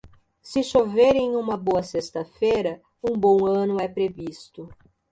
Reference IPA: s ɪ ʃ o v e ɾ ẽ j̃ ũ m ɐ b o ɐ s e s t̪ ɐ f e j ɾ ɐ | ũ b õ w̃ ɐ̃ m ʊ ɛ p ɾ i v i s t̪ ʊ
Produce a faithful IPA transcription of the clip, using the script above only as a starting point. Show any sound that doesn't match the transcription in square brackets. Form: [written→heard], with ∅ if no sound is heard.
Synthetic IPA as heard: s ɪ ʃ o v e ɾ ẽ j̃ ũ m ɐ b o ɐ s e s t̪ ɐ f e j ɾ ɐ | ũ b õ w̃ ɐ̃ [m→n] ʊ ɛ p ɾ [i→e] v i s t̪ ʊ